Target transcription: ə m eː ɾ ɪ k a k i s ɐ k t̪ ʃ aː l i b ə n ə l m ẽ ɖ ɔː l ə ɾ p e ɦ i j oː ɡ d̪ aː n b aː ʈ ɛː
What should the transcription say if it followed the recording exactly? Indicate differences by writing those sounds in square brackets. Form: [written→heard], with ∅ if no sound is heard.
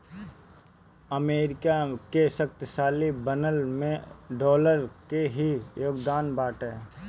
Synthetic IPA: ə m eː ɾ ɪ k a k [i→e] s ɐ k t̪ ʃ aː l i b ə n ə l m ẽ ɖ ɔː l ə ɾ [p→k] e ɦ i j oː ɡ d̪ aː n b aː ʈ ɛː